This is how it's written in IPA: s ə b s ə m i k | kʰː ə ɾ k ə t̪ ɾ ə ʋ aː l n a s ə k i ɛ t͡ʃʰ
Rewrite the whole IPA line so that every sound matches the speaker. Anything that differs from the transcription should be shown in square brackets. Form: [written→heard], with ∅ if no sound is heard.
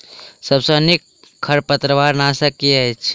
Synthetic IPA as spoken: s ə b s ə [m→n] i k | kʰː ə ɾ [k→p] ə t̪ ɾ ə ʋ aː [l→ɾ] n a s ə k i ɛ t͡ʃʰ